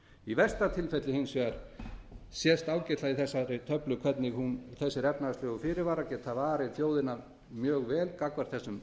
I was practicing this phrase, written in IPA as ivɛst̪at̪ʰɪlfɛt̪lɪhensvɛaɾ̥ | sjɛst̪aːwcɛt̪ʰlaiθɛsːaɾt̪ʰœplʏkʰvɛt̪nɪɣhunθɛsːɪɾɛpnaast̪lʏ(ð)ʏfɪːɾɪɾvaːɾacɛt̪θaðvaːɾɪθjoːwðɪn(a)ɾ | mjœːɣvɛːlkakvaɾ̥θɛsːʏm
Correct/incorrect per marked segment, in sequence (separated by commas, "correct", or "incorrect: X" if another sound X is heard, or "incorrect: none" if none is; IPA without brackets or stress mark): incorrect: ɣ, correct